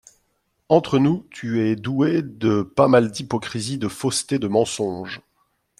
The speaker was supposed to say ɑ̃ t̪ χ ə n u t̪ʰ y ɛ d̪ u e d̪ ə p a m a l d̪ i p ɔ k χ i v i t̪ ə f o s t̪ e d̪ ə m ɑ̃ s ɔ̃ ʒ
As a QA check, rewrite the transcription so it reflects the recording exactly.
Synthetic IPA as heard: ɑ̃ t̪ χ ə n u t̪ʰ y ɛ d̪ u e d̪ ə p a m a l d̪ i p ɔ k χ i z i d̪ ə f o s t̪ e d̪ ə m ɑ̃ s ɔ̃ ʒ